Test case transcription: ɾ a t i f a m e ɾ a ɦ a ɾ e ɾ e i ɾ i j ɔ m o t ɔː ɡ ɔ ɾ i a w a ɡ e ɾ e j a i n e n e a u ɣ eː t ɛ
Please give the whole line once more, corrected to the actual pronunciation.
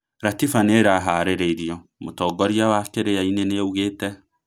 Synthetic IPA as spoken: ɾ a t i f a n e ɾ a ɦ a ɾ e ɾ e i ɾ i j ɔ m o t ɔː ɡ ɔ ɾ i a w a k e ɾ e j a i n e n e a u ɣ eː t ɛ

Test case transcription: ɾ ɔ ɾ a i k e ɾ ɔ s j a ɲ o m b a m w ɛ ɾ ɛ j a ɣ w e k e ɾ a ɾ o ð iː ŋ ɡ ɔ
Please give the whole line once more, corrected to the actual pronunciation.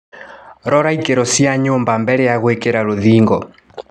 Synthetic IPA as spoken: ɾ ɔ ɾ a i k e ɾ ɔ s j a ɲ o m b a m b ɛ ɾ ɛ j a ɣ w e k e ɾ a ɾ o ð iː ŋ ɡ ɔ

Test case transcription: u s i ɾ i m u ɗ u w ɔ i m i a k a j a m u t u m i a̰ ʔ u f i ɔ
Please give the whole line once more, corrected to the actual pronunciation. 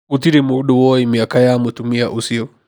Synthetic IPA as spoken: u t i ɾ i m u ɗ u w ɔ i m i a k a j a m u t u m i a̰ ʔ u s i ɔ

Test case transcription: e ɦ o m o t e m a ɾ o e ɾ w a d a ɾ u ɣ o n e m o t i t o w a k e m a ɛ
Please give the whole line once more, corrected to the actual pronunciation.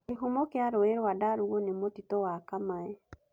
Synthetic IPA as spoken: e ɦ o m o k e a ɾ o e ɾ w a d a ɾ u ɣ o n e m o t i t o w a k a m a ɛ

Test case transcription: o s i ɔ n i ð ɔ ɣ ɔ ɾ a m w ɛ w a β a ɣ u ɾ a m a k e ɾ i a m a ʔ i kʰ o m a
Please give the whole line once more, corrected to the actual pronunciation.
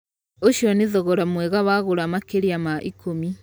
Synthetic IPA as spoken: o ʃ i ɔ n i ð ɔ ɣ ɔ ɾ a m w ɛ ɣ a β a ɣ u ɾ a m a k e ɾ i a m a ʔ i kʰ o m i

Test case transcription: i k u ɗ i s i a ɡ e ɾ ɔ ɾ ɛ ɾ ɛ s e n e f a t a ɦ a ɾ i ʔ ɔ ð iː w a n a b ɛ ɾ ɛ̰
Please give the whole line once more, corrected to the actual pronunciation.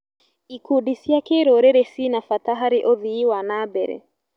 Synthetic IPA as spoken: i k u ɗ i s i a k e ɾ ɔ ɾ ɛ ɾ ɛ s i n a f a t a ɦ a ɾ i ʔ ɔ ð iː w a n a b ɛ ɾ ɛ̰

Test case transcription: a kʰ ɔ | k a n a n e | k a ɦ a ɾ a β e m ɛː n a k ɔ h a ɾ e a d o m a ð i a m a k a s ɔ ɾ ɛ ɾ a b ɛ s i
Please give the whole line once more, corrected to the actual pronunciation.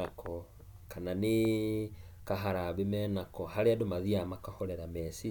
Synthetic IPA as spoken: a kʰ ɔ | k a n a n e | k a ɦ a ɾ a β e m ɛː n a k ɔ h a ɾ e a d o m a ð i a m a k a h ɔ ɾ ɛ ɾ a m ɛ s i

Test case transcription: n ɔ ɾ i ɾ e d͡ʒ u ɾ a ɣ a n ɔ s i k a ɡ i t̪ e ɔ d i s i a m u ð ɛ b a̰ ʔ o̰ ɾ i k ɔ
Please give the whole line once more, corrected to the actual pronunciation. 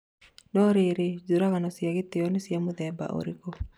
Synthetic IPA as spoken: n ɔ ɾ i ɾ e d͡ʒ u ɾ a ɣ a n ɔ s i a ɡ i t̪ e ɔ n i s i a m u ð ɛ b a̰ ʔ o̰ ɾ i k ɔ

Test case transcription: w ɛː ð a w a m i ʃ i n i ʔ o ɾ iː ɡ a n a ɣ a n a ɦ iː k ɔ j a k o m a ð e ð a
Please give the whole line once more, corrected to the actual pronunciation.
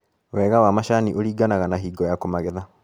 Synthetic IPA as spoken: w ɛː ɣ a w a m a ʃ a n i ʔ o ɾ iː ɡ a n a ɣ a n a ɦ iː ɡ ɔ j a k o m a ɣ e ð a

